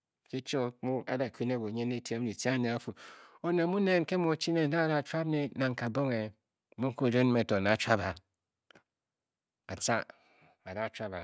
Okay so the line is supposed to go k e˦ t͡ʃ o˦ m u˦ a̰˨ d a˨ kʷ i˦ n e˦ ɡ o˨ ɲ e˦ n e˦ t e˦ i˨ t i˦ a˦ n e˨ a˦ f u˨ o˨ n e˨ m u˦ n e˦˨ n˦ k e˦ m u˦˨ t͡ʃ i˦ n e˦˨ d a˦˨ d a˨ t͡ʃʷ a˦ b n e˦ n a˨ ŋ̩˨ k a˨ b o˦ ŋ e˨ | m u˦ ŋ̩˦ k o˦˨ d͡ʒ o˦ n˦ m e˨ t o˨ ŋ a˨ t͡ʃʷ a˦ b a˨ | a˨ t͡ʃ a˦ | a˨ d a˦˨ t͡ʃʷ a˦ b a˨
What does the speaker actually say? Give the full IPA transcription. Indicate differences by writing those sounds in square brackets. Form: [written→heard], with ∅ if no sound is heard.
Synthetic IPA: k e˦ t͡ʃ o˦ m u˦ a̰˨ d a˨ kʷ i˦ n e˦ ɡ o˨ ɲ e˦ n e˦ t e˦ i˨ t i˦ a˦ n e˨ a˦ f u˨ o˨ n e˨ m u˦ n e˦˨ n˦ k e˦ m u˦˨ t͡ʃ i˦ n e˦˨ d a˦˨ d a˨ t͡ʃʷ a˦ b n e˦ n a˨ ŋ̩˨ k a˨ b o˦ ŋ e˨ | m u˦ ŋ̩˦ k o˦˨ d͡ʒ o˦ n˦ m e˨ t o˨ [ŋ→n] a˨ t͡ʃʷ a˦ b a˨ | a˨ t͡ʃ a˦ | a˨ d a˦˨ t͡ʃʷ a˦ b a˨